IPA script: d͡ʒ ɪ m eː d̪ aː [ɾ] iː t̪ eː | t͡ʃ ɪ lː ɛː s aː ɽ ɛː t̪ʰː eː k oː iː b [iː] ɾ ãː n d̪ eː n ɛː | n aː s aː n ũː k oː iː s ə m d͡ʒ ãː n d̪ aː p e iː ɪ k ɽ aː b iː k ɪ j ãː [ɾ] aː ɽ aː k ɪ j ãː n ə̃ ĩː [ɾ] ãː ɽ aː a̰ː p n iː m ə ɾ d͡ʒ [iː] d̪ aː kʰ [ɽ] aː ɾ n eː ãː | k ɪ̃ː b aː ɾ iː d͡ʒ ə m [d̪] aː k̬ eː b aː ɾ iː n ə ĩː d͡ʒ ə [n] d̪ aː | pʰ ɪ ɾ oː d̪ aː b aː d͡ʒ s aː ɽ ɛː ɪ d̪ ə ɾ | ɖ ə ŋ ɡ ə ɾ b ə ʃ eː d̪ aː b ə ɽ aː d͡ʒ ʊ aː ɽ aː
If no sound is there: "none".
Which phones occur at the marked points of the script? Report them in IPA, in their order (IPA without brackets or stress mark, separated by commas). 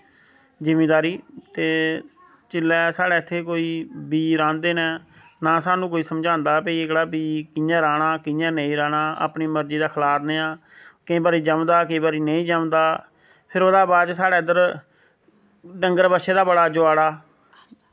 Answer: ɾ, iː, ɾ, ɾ, iː, l, d̪, m